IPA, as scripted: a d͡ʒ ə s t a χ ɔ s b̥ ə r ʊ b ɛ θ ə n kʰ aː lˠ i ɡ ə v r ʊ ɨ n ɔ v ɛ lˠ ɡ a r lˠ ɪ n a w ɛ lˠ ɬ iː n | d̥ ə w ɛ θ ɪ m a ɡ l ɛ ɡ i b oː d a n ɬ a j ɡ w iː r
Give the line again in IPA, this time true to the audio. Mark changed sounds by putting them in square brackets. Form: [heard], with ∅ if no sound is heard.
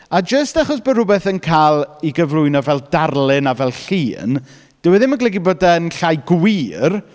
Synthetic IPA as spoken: a d͡ʒ ə s t a χ ɔ s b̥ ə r ʊ b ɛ θ ə n kʰ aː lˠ i ɡ ə v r ʊ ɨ n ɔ v ɛ lˠ [d] a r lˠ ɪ n a [v] ɛ lˠ ɬ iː n | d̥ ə w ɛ [ð] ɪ m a ɡ l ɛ ɡ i b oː d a n ɬ a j ɡ w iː r

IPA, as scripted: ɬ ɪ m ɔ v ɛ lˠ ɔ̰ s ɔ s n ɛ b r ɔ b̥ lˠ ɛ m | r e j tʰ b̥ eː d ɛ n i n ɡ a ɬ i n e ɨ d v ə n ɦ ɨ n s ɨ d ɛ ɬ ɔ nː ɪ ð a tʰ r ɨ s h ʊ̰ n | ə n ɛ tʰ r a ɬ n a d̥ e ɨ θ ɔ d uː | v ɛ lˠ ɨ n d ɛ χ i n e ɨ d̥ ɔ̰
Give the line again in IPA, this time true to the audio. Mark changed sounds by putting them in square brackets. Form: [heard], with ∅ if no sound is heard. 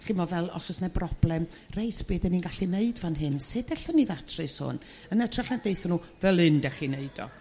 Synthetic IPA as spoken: ɬ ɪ m ɔ v ɛ lˠ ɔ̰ s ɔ s n ɛ b r ɔ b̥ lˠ ɛ m | r e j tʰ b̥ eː d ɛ n i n ɡ a ɬ i n e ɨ d v [a] n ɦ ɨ n s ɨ d ɛ ɬ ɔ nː [i] ð a tʰ r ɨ s h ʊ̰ n | ə n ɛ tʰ r a ɬ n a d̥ e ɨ θ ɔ [n] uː | v ɛ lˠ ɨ n d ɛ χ i n e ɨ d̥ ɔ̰

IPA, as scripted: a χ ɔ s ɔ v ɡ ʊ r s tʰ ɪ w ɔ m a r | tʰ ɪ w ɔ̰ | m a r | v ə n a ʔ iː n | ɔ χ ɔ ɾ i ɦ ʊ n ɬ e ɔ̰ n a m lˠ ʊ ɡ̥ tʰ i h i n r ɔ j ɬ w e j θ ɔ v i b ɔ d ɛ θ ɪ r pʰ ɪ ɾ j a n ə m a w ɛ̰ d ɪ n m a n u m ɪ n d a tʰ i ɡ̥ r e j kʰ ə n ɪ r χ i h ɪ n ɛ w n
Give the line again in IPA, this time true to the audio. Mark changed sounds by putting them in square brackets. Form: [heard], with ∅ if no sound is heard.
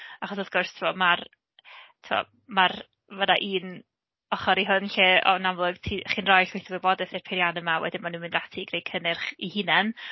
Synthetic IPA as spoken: a χ ɔ s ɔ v ɡ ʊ r s tʰ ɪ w ɔ m a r | tʰ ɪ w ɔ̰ | m a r | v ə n a ʔ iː n | ɔ χ ɔ ɾ i ɦ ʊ n ɬ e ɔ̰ n a m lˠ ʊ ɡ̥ tʰ i [χ] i n r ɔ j ɬ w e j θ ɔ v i b ɔ d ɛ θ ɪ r pʰ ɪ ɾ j a n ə m a w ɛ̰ d ɪ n m a n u m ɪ n d a tʰ i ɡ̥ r e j kʰ ə n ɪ r χ i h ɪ n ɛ [∅] n

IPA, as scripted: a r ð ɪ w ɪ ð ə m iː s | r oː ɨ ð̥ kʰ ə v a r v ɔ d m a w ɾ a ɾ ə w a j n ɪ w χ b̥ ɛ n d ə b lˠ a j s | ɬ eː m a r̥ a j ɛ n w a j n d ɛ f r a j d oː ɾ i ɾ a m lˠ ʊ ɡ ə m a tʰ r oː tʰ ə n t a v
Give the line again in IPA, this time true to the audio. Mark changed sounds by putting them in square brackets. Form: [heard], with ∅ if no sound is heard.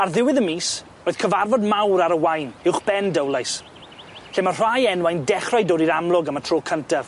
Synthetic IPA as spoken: a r ð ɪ w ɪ ð ə m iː s | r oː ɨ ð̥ kʰ ə v a r v ɔ d m a w ɾ a ɾ ə w a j n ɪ w χ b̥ ɛ n d ə [w] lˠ a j s | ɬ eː m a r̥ a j ɛ n w a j n d ɛ [χ] r a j d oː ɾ i ɾ a m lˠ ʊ ɡ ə m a tʰ r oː [kʰ] ə n t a v

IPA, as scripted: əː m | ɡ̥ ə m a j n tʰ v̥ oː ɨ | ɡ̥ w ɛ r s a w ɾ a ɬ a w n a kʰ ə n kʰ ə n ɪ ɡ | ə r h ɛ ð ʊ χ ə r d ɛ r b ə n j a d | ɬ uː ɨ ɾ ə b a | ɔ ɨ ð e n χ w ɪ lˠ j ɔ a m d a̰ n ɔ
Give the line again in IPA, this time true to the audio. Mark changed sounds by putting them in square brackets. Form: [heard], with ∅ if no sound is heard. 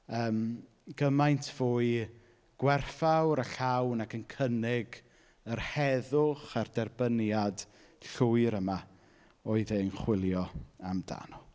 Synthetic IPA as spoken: əː m | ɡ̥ ə m a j n tʰ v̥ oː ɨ | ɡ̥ w ɛ r [f] a w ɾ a ɬ a w n a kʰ ə n kʰ ə n ɪ ɡ | ə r h ɛ ð ʊ χ [a] r d ɛ r b ə n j a d | ɬ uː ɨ ɾ ə [m] a | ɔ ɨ ð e n χ w ɪ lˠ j ɔ a m d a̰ n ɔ

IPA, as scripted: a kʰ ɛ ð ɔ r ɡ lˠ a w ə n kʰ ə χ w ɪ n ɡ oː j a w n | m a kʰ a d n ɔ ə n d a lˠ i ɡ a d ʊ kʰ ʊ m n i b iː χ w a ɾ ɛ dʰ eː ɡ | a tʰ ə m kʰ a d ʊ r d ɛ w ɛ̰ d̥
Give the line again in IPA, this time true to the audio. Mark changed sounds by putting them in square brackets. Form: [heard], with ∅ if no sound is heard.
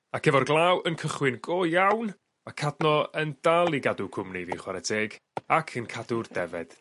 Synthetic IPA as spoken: a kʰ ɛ [v] ɔ r ɡ lˠ a w ə n kʰ ə χ w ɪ n ɡ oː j a w n | m a kʰ a d n ɔ ə n d a lˠ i ɡ a d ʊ kʰ ʊ m n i [v] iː χ w a ɾ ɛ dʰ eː ɡ | a [kʰ] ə [n] kʰ a d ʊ r d ɛ [v] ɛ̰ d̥

